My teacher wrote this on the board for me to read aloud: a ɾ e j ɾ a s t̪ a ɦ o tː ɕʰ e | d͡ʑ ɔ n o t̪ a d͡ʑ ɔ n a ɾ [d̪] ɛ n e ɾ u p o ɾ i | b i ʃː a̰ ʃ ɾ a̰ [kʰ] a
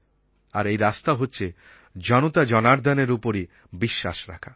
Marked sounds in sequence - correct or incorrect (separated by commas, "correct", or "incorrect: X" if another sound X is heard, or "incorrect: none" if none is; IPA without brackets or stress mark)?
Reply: correct, correct